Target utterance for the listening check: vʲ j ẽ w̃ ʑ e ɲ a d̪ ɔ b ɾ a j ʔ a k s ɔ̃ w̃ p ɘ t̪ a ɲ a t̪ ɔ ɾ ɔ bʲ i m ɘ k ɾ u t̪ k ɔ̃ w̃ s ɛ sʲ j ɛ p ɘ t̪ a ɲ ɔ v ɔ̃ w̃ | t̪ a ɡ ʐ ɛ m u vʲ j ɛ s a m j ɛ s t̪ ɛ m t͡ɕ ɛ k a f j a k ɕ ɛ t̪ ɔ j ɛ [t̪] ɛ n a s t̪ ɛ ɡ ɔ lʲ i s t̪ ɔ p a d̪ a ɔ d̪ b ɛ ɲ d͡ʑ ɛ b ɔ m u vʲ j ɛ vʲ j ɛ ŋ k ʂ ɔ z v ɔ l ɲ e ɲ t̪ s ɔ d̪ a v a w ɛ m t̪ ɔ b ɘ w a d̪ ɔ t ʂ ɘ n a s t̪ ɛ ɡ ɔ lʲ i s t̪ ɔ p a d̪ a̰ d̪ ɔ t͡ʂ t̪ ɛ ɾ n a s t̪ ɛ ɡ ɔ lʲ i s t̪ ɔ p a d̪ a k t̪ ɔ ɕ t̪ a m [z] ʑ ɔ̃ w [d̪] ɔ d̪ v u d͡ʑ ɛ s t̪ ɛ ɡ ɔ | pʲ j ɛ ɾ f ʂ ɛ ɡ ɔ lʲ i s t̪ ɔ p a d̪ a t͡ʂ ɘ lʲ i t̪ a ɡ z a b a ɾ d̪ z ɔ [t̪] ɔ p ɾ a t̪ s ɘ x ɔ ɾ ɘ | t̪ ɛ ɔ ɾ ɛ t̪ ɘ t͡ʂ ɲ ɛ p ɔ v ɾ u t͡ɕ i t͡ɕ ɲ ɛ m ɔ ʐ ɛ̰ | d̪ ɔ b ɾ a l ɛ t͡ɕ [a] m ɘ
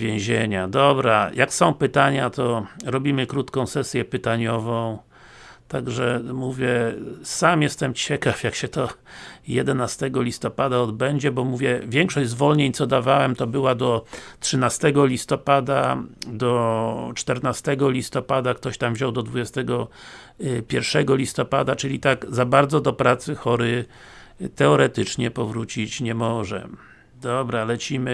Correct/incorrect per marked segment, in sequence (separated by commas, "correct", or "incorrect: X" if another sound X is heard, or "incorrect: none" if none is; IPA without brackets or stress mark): incorrect: d̪, incorrect: v, correct, incorrect: d̪, incorrect: i